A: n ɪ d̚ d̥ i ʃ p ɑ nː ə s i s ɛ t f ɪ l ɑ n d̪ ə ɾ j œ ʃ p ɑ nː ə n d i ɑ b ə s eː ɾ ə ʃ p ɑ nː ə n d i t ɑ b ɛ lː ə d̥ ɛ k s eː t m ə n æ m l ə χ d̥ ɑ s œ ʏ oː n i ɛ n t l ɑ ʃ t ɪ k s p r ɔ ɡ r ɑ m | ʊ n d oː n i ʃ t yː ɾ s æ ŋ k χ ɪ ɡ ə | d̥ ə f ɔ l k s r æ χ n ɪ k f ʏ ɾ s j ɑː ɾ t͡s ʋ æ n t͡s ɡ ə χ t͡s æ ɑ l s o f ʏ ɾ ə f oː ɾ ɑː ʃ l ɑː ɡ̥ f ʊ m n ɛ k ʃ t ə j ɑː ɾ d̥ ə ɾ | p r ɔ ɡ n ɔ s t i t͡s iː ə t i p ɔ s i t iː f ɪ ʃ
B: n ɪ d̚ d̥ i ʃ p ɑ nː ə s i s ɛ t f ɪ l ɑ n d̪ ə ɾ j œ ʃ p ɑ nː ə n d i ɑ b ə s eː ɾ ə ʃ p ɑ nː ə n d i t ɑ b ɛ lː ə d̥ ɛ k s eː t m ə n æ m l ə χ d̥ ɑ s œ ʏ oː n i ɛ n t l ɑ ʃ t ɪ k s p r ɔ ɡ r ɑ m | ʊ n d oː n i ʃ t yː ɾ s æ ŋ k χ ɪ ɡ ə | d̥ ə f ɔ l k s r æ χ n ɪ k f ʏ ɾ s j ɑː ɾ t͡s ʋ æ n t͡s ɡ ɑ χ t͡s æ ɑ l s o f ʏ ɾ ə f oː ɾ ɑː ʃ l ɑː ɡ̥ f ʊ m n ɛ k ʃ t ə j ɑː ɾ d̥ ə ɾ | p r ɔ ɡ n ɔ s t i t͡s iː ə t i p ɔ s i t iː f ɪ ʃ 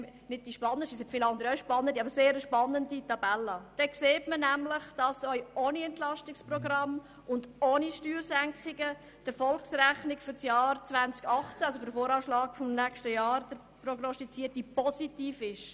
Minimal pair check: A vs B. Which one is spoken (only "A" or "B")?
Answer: B